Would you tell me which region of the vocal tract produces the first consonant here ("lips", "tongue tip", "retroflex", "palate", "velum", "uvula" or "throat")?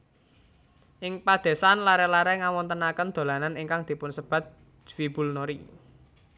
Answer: throat